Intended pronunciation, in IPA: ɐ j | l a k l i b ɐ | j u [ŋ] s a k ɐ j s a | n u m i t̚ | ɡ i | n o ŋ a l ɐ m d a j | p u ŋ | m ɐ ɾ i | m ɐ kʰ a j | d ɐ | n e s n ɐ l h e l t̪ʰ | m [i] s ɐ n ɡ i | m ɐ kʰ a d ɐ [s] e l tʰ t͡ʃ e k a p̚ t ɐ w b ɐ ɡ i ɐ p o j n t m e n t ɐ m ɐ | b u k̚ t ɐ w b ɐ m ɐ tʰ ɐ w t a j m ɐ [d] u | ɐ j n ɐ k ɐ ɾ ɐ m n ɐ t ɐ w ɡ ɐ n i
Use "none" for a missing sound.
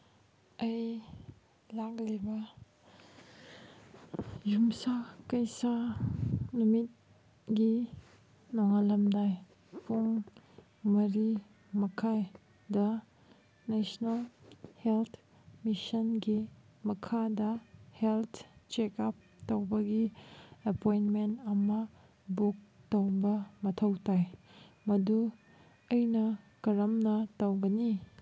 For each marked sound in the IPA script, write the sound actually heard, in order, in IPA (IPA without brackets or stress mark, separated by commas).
m, i, h, d